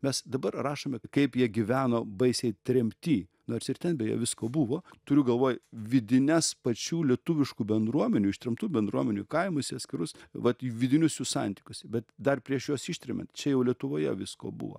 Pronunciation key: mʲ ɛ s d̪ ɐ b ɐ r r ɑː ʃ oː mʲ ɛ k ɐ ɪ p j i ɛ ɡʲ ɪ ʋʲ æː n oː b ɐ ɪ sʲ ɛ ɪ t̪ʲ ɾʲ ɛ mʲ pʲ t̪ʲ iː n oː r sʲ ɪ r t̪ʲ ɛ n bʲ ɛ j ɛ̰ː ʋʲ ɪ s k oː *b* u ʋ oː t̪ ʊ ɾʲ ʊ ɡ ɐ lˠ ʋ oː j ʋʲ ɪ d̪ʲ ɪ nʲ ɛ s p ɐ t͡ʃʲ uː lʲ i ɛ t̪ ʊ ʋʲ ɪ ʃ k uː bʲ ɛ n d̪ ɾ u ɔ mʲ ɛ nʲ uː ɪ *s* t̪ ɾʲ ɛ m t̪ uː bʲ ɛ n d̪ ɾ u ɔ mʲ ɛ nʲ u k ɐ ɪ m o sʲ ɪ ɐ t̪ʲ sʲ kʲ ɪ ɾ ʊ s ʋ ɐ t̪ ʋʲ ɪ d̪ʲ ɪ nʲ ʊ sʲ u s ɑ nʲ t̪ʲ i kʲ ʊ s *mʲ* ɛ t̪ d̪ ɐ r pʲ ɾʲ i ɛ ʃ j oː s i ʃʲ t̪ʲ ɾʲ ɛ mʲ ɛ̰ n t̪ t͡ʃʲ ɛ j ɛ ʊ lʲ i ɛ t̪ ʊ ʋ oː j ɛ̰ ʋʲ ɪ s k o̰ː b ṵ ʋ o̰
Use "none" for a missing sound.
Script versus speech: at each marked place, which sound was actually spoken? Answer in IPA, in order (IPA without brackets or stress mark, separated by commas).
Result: b, ʃ, bʲ